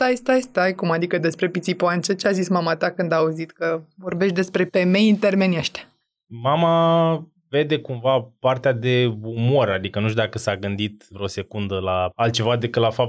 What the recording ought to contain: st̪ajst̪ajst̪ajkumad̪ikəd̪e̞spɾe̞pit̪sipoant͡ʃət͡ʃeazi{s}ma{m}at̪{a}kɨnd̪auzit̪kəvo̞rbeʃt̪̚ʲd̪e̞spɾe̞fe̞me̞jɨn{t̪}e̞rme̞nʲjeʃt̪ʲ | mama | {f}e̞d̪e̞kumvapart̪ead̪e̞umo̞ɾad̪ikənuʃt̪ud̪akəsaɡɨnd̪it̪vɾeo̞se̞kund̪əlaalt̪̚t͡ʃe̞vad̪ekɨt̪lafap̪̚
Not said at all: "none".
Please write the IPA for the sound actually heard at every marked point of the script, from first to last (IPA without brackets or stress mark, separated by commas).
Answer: s, m, a, t̪, v